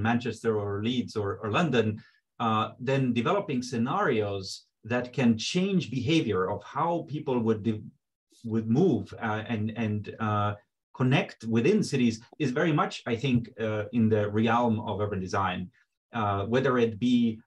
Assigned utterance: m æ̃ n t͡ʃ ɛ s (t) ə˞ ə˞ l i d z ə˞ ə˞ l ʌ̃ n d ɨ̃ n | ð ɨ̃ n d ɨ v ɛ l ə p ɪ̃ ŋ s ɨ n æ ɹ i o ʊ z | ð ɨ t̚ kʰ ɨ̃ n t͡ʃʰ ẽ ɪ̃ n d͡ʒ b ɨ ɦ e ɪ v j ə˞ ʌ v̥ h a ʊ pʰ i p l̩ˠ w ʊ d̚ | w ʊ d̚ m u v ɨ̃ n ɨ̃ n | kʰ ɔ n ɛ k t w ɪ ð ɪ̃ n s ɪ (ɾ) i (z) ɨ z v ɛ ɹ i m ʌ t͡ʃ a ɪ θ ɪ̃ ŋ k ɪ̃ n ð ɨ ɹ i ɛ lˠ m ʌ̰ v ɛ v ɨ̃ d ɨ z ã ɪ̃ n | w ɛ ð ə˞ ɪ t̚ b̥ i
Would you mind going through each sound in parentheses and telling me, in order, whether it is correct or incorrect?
correct, correct, correct

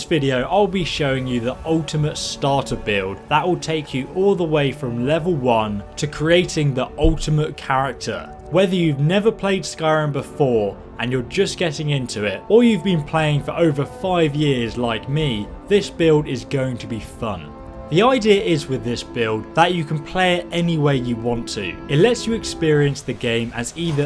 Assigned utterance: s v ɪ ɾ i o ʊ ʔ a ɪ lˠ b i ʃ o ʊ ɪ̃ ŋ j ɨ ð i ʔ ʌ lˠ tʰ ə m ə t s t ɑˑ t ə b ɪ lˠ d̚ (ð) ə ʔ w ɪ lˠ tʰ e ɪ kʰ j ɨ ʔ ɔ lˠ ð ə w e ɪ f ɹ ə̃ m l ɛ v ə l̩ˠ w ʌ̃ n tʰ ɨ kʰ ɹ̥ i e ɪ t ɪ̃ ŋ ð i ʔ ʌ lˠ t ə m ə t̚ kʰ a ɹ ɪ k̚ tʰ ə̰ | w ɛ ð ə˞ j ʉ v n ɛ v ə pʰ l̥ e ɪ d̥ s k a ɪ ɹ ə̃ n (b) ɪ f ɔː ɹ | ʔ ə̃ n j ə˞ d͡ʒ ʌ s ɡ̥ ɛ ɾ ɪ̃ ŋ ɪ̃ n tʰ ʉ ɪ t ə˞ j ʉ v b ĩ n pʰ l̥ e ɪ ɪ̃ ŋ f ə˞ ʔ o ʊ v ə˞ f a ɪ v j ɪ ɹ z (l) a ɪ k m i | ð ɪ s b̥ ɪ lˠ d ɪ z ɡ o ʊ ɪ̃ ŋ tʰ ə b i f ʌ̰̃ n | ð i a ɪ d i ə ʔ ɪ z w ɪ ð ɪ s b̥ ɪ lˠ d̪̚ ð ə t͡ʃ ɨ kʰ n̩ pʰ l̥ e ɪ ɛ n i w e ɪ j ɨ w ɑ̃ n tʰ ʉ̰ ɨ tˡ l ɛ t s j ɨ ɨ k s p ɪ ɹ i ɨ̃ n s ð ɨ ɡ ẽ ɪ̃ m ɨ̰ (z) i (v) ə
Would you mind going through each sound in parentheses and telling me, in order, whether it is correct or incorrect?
correct, correct, correct, correct, incorrect: ð

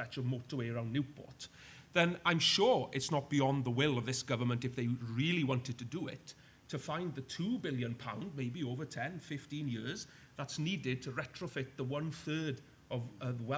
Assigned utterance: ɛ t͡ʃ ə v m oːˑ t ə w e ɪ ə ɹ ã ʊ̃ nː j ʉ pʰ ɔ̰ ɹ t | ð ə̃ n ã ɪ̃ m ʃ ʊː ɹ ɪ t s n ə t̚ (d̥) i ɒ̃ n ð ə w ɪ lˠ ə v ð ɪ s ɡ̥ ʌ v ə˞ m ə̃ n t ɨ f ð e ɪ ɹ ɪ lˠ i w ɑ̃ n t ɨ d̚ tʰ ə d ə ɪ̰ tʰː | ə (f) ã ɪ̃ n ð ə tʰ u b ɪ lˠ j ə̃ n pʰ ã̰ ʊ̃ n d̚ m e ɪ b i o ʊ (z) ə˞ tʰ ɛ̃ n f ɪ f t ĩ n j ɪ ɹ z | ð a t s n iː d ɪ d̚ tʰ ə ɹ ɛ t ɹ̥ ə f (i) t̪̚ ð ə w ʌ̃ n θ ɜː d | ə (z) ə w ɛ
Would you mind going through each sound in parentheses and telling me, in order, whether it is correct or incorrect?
incorrect: b̥, correct, incorrect: v, incorrect: ɪ, incorrect: v

